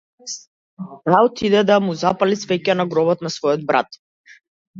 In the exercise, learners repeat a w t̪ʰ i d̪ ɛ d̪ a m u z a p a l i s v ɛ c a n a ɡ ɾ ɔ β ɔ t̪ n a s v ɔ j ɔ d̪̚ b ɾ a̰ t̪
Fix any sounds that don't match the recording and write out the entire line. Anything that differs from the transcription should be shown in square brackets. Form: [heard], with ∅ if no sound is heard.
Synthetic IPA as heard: a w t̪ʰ i d̪ ɛ d̪ a m u z a p a l i s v ɛ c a n a ɡ ɾ ɔ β ɔ t̪ n a s v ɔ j ɔ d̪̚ b ɾ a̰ t̪

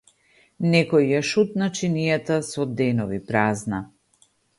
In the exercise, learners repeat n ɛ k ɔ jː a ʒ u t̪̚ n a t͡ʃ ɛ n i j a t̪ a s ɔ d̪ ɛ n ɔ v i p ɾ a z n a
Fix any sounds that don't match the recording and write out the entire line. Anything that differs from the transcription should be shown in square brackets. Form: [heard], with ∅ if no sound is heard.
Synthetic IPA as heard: n ɛ k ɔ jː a [ʃ] u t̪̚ n a t͡ʃ [i] n i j a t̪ a s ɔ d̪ ɛ n ɔ v i p ɾ a z n a

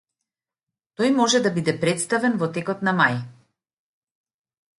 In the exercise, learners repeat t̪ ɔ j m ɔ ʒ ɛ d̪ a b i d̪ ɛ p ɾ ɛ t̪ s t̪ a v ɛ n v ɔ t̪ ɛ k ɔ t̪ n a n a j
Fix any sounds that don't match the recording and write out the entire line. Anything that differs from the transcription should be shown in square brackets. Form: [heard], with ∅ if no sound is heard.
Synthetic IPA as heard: t̪ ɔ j m ɔ ʒ ɛ d̪ a b i d̪ ɛ p ɾ ɛ t̪ s t̪ a v ɛ n v ɔ t̪ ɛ k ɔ t̪ n a [m] a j

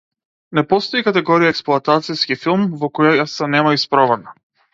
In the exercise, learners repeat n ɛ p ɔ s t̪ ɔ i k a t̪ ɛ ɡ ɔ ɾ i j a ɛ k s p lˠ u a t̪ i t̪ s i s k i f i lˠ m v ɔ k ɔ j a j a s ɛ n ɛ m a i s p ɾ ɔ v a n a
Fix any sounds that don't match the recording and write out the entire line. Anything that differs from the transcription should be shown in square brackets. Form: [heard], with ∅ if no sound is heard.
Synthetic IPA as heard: n ɛ p ɔ s t̪ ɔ i k a t̪ ɛ ɡ ɔ ɾ i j a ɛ k s p lˠ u a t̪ [a] t̪ s i s k i f i lˠ m v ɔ k ɔ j a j a s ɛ n ɛ m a i s p ɾ ɔ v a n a

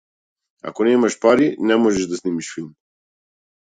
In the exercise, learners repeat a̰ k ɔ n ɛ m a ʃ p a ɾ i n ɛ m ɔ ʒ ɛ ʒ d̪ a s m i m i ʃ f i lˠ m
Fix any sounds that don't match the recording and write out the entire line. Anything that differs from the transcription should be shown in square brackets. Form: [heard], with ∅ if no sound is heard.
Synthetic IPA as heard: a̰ k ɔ n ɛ m a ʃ p a ɾ i n ɛ m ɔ ʒ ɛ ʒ d̪ a s [n] i m i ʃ f i lˠ m

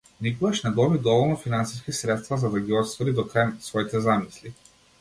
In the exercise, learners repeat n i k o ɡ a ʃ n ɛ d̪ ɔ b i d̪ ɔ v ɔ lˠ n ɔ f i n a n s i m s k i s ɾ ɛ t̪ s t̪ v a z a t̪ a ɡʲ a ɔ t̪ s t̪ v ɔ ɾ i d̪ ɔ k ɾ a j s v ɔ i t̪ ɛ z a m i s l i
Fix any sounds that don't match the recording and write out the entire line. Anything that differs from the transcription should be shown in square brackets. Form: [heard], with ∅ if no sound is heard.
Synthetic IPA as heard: n i k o ɡ a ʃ n ɛ d̪ ɔ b i d̪ ɔ v ɔ lˠ n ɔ f i n a n s i [∅] s k i s ɾ ɛ t̪ s t̪ v a z a [d̪] a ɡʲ [i] ɔ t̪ s t̪ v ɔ ɾ i d̪ ɔ k ɾ a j s v ɔ i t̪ ɛ z a m i s l i

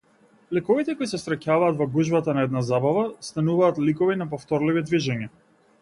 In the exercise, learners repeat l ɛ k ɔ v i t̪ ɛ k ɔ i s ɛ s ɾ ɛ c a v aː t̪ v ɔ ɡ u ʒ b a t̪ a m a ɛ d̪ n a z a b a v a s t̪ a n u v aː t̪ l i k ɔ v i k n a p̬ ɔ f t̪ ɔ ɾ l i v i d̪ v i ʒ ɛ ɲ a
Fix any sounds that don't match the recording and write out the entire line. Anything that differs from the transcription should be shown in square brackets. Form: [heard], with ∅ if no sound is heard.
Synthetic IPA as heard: l ɛ k ɔ v i t̪ ɛ k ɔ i s ɛ s ɾ ɛ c a v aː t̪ v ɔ ɡ u ʒ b a t̪ a [n] a ɛ d̪ n a z a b a v a s t̪ a n u v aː t̪ l i k ɔ v i [∅] n a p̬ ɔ f t̪ ɔ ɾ l i v i d̪ v i ʒ ɛ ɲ a

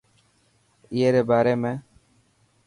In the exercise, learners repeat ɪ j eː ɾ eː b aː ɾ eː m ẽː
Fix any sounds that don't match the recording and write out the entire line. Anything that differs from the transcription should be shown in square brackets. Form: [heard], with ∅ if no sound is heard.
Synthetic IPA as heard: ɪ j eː ɾ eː b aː ɾ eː m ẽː

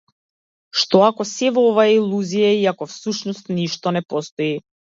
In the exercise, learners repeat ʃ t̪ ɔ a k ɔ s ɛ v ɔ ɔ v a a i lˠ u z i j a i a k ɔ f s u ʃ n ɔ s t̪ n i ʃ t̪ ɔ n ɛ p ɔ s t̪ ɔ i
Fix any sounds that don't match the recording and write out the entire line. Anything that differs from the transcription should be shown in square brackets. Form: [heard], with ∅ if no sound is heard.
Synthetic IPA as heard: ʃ t̪ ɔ a k ɔ s ɛ v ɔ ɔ v a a i lˠ u z i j a i a k ɔ f s u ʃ n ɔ s t̪ n i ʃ t̪ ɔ n ɛ p ɔ s t̪ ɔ i

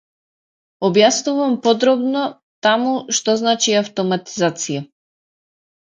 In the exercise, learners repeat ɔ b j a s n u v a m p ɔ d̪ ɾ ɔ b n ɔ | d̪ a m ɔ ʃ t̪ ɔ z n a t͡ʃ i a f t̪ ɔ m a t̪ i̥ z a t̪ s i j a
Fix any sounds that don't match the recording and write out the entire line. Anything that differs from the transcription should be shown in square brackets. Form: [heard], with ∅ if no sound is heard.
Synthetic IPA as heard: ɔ b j a s n u v a m p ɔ d̪ ɾ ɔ b n ɔ | [t̪] a m [u] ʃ t̪ ɔ z n a t͡ʃ i a f t̪ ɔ m a t̪ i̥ z a t̪ s i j a

